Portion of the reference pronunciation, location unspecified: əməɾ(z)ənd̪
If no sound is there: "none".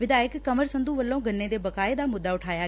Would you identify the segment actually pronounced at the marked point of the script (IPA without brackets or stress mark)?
s